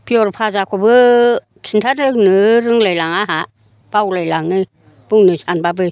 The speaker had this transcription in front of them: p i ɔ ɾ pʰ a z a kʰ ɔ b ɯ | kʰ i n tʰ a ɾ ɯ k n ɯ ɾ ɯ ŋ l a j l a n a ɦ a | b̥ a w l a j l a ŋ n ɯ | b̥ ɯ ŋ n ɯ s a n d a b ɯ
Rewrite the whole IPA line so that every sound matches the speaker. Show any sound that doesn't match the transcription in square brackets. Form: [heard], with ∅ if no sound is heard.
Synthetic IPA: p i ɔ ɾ pʰ a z a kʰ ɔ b ɯ | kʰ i n tʰ a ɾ ɯ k n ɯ ɾ ɯ ŋ l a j l a [ŋ] a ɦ a | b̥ a w l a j l a ŋ n ɯ | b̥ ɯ ŋ n ɯ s a n [b] a b ɯ